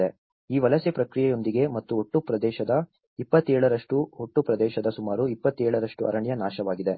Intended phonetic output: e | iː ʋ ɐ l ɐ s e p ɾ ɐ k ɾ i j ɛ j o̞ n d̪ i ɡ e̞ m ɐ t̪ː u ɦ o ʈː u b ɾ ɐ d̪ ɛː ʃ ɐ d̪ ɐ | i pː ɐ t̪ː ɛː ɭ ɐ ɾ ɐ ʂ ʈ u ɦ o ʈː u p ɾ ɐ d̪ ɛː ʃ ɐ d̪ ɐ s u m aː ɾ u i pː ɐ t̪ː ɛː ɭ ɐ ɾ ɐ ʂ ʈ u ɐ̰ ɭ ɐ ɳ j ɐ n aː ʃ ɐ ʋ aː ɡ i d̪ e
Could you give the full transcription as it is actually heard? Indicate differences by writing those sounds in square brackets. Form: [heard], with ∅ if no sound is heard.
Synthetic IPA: e | iː ʋ ɐ l ɐ s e p ɾ ɐ k ɾ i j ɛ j o̞ n d̪ i ɡ e̞ m ɐ t̪ː u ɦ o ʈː u [p] ɾ ɐ d̪ ɛː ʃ ɐ d̪ ɐ | i pː ɐ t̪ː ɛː ɭ ɐ ɾ ɐ ʂ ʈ u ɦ o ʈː u p ɾ ɐ d̪ ɛː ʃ ɐ d̪ ɐ s u m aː ɾ u i pː ɐ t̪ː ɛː ɭ ɐ ɾ ɐ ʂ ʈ u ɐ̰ [ɾ] ɐ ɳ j ɐ n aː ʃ ɐ ʋ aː ɡ i d̪ e